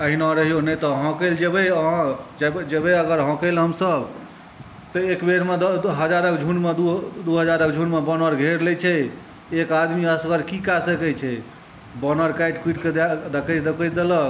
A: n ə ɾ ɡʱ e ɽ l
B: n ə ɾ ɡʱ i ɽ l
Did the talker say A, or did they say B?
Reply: A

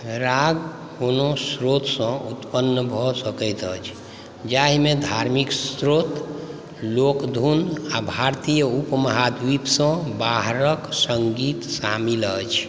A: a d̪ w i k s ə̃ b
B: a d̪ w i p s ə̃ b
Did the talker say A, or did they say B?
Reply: B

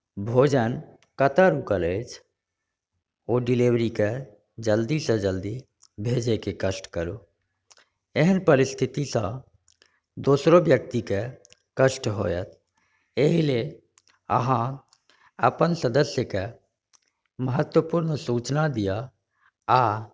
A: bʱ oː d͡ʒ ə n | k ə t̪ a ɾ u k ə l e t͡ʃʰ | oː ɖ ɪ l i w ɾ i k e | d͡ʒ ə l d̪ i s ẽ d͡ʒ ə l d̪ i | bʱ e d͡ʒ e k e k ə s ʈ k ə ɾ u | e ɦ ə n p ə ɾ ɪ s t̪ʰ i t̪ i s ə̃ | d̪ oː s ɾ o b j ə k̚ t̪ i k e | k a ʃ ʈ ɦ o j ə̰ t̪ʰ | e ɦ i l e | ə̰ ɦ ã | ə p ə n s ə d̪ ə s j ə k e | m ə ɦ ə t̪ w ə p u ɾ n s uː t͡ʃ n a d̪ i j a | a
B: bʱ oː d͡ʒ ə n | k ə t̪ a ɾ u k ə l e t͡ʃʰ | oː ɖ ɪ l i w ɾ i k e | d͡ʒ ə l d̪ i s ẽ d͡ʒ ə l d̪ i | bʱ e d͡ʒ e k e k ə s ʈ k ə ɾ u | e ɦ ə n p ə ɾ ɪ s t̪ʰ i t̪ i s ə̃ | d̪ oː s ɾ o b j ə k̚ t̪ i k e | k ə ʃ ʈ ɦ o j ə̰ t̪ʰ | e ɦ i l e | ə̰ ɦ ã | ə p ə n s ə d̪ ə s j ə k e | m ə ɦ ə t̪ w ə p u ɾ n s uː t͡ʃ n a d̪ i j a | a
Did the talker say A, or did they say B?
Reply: B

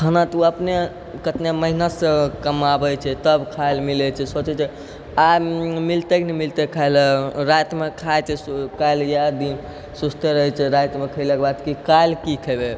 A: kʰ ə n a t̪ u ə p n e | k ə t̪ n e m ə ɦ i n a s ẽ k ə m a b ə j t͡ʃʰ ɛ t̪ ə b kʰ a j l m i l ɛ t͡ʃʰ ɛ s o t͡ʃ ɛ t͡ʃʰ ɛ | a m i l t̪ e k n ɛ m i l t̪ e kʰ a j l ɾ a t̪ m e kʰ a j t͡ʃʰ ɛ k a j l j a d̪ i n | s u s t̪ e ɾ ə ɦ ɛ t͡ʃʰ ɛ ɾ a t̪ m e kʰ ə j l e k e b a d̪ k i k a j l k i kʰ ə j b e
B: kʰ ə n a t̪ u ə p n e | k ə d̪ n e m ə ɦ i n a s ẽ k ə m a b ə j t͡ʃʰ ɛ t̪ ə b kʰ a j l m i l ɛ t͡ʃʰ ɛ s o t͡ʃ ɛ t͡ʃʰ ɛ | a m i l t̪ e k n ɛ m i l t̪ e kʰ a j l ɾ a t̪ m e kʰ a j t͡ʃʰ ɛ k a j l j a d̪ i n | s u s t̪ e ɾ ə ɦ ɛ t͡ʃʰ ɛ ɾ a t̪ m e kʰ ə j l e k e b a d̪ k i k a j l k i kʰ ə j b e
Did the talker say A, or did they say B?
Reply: A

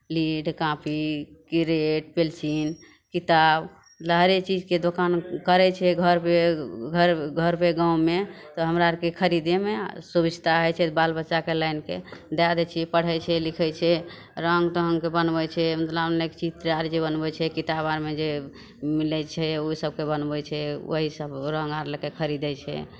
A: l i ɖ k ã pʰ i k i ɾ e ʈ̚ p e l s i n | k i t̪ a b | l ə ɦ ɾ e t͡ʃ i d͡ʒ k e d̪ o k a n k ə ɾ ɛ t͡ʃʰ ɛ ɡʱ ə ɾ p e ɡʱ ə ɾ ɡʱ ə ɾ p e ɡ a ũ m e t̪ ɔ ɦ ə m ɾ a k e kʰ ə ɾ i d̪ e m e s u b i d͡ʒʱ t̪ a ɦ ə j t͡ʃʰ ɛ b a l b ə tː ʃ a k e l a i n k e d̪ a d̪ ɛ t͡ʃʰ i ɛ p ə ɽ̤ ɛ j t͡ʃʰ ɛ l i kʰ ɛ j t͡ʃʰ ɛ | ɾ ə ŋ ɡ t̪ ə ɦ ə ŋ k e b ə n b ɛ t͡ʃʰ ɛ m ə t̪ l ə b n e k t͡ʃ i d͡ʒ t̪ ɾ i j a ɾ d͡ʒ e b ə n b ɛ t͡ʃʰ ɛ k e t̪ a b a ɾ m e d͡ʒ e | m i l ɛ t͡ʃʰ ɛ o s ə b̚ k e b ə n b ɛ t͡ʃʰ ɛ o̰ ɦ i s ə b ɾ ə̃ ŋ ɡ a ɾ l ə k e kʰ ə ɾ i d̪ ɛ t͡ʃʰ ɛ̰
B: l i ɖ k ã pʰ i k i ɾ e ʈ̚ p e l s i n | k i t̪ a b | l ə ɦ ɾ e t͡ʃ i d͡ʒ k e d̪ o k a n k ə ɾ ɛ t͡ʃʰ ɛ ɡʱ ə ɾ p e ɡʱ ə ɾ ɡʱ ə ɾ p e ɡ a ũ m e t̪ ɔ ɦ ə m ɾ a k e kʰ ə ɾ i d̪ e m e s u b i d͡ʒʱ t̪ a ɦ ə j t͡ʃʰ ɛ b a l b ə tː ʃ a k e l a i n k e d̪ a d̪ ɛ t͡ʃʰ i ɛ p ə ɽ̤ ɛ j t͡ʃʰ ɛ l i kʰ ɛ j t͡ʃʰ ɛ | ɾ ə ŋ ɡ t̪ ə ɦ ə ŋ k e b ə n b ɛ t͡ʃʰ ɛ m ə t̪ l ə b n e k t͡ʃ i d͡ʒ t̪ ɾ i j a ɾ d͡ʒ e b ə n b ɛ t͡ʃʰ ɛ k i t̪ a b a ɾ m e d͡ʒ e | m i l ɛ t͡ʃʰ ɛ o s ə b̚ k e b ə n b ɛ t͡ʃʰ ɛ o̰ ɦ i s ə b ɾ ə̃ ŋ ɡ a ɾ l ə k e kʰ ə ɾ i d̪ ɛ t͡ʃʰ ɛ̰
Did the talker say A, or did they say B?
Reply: B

